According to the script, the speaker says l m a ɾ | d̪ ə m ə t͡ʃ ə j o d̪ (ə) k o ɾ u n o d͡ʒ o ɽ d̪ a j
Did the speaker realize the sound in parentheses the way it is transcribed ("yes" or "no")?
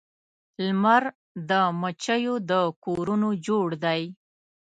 yes